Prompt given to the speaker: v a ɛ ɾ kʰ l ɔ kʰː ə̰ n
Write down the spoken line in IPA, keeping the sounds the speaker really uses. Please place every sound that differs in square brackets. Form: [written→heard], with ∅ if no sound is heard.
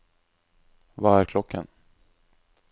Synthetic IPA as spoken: v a [ɛ→æ] ɾ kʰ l ɔ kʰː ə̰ n